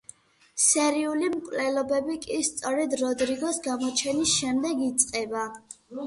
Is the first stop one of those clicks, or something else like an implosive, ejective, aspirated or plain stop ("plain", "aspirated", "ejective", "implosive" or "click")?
ejective